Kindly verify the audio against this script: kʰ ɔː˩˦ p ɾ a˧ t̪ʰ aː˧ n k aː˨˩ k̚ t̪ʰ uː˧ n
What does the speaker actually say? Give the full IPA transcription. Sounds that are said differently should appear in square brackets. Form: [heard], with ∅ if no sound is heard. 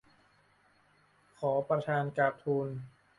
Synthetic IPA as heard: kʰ ɔː˩˦ p ɾ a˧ t̪ʰ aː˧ n k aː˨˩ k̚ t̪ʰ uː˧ n